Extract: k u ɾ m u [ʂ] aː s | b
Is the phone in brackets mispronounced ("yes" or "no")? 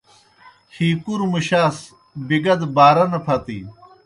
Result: yes